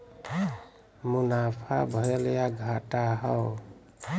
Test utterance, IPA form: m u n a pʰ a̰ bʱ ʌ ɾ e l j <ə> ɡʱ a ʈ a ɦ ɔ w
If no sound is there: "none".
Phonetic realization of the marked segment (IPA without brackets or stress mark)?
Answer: a